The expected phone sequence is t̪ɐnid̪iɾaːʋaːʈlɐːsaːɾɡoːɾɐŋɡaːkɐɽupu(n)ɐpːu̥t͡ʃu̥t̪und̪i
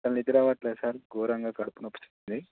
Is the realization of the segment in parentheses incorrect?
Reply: no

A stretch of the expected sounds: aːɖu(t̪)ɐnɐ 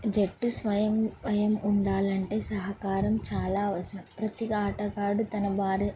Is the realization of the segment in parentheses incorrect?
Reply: no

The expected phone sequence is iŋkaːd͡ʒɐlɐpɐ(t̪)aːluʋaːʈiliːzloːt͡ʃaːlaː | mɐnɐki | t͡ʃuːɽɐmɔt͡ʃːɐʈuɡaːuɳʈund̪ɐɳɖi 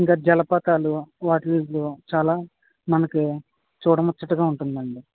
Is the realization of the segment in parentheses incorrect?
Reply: no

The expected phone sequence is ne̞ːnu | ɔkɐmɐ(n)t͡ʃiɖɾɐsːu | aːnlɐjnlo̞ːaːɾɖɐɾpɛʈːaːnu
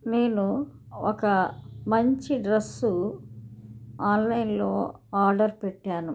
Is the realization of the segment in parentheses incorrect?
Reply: yes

